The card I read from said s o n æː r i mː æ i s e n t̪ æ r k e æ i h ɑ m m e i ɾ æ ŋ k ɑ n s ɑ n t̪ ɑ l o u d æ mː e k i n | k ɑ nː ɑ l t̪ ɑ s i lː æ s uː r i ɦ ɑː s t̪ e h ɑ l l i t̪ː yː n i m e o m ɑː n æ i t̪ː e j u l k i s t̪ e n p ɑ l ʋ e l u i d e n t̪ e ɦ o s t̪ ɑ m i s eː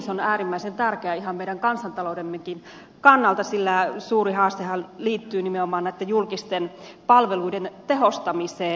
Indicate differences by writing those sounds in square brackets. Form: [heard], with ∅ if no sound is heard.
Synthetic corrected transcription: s o n æː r i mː æ i s e n t̪ æ r k e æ i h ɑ m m e i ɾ æ ŋ k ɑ n s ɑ n t̪ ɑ l o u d [e] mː e k i n | k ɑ nː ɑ l t̪ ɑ s i lː æ s uː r i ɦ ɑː s t̪ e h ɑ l l [iː] t̪ː yː n i m e o m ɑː n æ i t̪ː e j u l k i s t̪ e n p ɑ l ʋ e l u i d e n t̪ e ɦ o s t̪ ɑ m i s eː